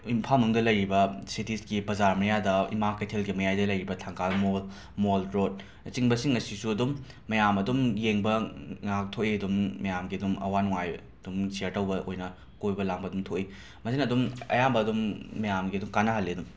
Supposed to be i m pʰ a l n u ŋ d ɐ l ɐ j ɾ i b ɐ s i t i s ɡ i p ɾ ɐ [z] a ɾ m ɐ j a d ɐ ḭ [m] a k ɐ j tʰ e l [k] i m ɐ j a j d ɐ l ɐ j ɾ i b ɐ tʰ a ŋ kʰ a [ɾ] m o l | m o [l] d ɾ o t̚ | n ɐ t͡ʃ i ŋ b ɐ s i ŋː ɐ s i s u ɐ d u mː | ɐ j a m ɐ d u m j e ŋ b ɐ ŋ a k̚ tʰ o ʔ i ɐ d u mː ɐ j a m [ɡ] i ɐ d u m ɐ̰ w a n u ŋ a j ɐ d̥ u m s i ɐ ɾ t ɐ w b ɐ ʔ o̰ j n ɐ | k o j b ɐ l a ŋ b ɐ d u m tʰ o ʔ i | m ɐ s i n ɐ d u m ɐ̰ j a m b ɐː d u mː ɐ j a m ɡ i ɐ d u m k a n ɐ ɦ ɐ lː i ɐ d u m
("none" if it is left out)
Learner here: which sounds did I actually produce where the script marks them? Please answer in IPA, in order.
z, m, ɡ, l, l, ɡ

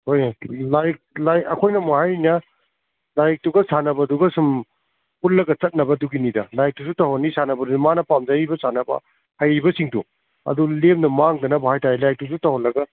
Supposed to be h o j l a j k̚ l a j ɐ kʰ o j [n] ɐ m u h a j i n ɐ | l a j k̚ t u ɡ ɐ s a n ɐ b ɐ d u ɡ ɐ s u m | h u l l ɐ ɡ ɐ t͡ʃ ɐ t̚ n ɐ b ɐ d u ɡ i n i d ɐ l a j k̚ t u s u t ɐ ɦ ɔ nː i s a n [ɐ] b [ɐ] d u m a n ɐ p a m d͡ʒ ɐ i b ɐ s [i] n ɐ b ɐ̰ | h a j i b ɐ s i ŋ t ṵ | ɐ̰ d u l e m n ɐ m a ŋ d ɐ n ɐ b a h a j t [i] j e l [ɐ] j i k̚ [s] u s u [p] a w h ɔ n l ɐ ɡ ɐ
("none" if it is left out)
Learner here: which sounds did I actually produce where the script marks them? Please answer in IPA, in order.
n, ɐ, ɐ, a, a, a, t, t

